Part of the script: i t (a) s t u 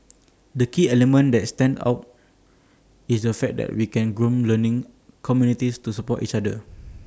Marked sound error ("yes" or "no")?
yes